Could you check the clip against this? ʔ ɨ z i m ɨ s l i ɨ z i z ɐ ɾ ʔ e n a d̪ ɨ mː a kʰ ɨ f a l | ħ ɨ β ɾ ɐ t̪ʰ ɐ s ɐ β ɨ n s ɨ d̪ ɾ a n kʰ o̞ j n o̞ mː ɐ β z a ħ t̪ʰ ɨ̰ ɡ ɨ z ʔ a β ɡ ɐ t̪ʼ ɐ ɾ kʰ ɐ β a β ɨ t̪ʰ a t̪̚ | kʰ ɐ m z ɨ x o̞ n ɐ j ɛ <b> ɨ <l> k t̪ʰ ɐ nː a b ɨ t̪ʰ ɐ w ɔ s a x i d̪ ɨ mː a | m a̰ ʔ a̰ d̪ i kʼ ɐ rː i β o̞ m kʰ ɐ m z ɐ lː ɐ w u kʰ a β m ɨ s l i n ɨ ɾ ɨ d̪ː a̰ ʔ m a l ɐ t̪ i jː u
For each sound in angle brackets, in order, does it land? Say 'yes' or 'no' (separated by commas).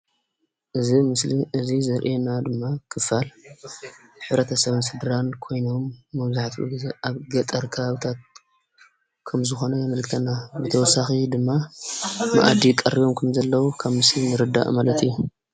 no, yes